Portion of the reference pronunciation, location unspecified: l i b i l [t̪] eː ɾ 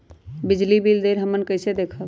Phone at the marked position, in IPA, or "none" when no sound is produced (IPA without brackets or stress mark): d̪